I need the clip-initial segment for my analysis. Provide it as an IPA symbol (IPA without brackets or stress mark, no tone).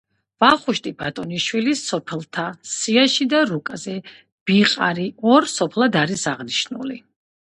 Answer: v